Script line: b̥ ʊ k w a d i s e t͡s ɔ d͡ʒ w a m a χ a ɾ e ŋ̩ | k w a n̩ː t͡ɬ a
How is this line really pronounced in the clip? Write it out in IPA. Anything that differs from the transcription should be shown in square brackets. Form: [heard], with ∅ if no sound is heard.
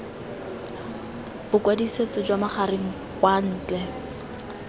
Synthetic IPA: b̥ ʊ k w a d i s e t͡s ɔ d͡ʒ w a m a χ a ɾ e ŋ̩ | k w a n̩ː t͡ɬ [ɛ]